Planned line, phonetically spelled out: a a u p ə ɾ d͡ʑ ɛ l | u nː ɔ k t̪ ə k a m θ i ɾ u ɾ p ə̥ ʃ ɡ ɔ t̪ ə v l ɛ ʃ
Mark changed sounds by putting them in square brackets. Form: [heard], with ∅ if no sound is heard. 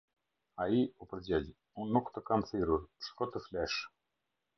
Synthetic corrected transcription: a [i] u p ə ɾ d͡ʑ ɛ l | u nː [u] k t̪ ə k a m θ i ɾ u ɾ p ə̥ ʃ [k] ɔ t̪ ə [f] l ɛ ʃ